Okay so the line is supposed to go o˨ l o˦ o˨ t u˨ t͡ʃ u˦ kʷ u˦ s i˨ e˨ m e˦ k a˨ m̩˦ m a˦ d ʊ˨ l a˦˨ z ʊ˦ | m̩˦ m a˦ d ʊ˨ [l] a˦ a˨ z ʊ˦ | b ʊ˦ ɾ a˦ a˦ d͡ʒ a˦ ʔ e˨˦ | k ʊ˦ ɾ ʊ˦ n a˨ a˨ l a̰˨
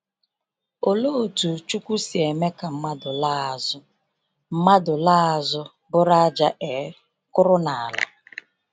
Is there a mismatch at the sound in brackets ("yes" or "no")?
no